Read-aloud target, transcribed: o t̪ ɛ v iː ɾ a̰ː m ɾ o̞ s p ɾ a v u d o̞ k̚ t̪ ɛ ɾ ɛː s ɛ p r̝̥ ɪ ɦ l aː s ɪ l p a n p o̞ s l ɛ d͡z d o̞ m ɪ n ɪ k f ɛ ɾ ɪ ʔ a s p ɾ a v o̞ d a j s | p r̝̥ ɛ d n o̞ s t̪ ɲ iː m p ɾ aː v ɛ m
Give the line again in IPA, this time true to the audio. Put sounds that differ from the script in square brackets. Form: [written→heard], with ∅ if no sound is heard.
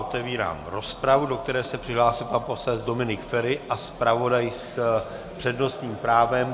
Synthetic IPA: o t̪ ɛ v iː ɾ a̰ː m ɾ o̞ s p ɾ a v u d o̞ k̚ t̪ ɛ ɾ ɛː s ɛ p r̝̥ ɪ ɦ l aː s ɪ l p a n p o̞ s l ɛ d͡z d o̞ m ɪ n ɪ k f ɛ ɾ ɪ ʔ a s p ɾ a v o̞ d a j s | p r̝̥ ɛ d n o̞ s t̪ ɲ iː m p ɾ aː v ɛ m